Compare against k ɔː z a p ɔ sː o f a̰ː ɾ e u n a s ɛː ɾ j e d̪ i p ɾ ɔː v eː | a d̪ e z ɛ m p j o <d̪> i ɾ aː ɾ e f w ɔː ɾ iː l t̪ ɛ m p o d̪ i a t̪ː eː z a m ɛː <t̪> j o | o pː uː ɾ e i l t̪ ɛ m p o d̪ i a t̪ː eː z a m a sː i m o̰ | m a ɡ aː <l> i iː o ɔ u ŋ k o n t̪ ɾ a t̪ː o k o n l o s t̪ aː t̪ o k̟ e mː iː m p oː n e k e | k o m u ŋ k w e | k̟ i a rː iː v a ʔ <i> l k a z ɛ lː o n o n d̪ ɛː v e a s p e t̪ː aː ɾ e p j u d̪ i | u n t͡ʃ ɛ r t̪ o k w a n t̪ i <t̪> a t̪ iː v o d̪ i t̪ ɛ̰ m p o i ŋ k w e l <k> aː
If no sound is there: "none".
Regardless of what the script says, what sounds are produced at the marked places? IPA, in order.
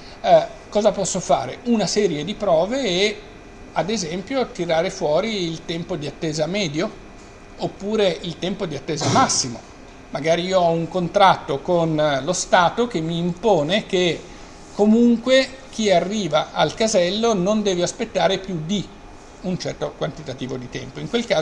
t̪, d̪, ɾ, a, t̪, k

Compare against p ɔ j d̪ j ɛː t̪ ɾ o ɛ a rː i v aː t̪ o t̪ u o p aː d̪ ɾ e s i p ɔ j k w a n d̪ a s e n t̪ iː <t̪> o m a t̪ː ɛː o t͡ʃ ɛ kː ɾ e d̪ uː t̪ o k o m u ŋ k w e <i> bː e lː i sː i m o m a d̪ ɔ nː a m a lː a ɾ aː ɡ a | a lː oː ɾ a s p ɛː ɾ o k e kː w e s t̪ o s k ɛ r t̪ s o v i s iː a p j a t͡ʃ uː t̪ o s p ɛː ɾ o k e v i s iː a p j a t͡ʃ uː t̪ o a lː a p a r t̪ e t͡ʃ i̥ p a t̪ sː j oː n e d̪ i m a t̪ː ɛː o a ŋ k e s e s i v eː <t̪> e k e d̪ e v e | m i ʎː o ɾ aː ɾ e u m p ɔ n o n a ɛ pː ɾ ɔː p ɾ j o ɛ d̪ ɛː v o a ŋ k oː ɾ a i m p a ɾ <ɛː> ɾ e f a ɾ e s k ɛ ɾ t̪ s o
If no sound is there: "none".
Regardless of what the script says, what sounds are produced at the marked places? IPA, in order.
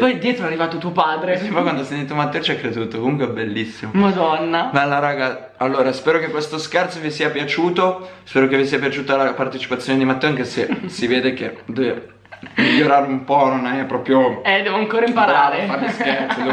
t̪, ɛ, d̪, aː

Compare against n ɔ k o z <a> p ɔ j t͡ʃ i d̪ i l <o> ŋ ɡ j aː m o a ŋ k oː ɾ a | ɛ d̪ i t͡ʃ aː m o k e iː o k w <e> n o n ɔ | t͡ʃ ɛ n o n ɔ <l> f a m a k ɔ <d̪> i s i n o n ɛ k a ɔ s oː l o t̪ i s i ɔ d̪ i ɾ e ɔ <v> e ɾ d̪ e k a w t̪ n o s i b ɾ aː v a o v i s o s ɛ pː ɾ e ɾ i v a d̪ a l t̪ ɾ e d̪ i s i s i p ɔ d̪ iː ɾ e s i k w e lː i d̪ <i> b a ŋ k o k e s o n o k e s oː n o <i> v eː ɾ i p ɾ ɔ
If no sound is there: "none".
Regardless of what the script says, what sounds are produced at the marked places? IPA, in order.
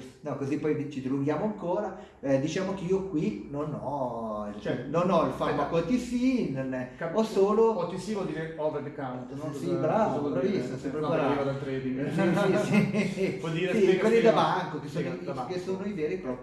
i, u, i, l, t̪, v, a, i

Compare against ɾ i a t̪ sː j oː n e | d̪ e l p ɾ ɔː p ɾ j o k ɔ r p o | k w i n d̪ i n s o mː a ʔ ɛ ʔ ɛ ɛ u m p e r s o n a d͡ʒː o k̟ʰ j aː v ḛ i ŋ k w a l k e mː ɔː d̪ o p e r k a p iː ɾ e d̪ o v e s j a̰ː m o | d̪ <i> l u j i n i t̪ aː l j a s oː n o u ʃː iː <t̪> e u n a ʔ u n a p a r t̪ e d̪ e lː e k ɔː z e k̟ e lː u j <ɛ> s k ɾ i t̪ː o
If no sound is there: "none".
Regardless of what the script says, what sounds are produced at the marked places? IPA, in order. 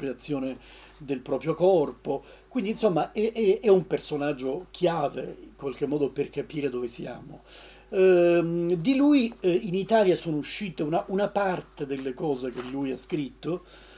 i, t̪, a

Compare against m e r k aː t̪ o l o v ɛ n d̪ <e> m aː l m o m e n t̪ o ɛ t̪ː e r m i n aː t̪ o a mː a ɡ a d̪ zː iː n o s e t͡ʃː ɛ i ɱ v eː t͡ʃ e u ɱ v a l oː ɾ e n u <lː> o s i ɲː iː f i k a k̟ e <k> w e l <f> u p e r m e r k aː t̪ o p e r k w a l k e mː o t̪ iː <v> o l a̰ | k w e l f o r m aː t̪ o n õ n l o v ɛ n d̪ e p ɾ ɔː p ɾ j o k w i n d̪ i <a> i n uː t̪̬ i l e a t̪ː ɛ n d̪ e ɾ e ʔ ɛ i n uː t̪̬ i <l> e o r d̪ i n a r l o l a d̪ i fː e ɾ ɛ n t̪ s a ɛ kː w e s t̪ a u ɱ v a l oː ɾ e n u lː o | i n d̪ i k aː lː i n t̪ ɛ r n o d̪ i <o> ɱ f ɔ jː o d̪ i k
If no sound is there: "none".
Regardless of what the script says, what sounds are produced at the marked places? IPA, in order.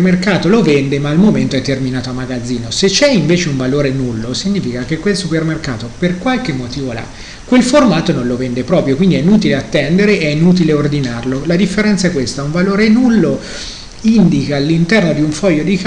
e, lː, k, s, v, ɛ, l, u

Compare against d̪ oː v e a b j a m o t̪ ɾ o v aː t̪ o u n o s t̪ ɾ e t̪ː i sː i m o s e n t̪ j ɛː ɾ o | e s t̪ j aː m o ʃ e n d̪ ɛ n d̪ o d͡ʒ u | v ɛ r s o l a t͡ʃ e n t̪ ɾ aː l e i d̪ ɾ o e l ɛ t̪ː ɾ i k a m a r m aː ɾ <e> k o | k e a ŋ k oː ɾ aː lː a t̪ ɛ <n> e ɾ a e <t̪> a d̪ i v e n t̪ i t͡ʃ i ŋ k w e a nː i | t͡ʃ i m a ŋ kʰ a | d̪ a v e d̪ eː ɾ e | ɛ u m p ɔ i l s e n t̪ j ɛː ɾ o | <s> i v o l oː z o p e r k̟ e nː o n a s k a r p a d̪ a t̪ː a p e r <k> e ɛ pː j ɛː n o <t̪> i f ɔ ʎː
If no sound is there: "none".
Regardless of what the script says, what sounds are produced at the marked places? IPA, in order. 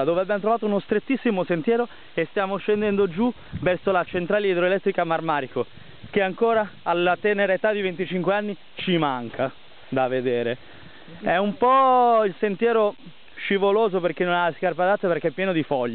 i, n, t̪, ʃ, k, d̪

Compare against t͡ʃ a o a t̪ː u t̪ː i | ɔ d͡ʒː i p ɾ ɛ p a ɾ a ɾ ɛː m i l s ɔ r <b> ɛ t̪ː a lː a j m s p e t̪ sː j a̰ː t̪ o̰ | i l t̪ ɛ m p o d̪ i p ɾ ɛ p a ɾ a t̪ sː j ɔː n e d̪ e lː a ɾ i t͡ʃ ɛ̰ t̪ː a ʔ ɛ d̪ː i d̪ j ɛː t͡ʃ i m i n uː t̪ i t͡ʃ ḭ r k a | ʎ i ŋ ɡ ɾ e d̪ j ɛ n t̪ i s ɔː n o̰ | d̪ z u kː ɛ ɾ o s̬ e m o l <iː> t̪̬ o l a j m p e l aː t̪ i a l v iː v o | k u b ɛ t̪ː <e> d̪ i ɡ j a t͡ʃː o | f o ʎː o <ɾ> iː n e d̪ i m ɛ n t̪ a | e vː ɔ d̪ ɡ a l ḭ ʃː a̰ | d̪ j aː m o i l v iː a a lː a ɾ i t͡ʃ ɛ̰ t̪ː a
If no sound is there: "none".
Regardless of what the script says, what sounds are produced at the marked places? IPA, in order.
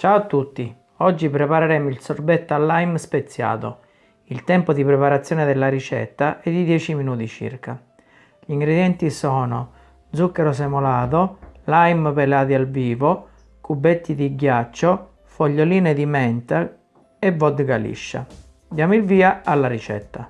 b, aː, i, l

